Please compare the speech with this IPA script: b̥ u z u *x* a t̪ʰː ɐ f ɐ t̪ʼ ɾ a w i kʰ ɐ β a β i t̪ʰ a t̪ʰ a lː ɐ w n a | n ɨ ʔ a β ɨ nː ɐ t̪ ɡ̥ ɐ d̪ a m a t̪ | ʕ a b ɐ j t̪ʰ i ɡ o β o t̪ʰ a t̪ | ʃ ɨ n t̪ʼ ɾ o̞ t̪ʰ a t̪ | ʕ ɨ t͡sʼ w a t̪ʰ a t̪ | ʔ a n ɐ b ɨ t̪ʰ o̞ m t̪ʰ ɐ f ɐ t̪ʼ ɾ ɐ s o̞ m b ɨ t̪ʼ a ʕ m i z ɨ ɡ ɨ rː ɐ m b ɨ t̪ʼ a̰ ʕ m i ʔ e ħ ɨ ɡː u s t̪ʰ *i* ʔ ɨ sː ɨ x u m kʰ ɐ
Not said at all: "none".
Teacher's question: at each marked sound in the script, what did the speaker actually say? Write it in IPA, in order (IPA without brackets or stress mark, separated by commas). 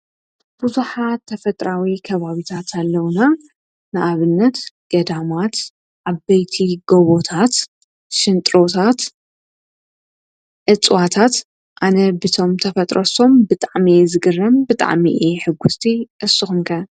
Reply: ħ, i